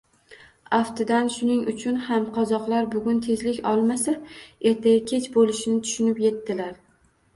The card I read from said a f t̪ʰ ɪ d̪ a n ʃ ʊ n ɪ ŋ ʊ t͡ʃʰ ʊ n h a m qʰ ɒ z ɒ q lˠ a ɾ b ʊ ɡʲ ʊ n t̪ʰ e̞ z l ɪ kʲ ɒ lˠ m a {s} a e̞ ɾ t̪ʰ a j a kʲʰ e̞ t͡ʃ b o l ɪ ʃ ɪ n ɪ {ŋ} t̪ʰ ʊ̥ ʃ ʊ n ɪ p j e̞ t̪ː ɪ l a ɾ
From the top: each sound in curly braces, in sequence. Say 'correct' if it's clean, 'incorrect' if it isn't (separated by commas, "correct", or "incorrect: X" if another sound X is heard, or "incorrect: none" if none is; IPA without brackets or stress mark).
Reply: correct, incorrect: none